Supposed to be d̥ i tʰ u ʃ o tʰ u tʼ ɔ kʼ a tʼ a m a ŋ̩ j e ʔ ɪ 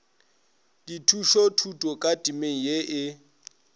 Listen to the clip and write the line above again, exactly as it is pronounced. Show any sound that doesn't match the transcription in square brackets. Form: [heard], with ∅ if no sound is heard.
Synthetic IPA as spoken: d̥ i tʰ u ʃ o tʰ u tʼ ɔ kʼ a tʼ [i] m [e] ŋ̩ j e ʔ ɪ